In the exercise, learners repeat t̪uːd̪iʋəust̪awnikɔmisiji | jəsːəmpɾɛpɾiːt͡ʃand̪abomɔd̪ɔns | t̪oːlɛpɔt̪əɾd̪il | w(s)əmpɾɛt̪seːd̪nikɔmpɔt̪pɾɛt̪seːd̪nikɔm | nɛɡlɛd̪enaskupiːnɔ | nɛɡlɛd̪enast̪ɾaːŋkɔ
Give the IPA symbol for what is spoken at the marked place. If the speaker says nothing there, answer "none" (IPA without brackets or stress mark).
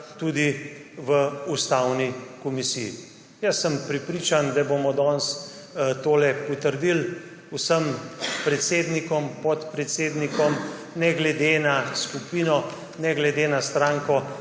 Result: s